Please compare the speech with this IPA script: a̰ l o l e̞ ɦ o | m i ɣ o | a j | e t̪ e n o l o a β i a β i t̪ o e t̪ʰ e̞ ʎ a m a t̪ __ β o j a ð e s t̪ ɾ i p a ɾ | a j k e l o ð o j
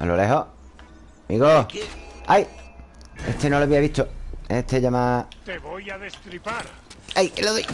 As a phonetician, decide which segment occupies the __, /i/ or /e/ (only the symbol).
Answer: e